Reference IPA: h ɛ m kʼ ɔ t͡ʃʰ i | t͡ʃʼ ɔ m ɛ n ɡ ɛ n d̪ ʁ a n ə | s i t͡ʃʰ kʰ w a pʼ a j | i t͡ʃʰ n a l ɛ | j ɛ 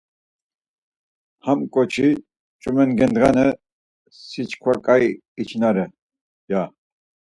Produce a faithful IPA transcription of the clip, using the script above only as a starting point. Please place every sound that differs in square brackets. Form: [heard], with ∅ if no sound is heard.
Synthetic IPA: h [a] m kʼ ɔ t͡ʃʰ i | t͡ʃʼ [u] m ɛ n ɡ ɛ n d̪ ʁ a n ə | s i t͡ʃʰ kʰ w a [kʼ] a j | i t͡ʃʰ n a [ɾ] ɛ | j [a]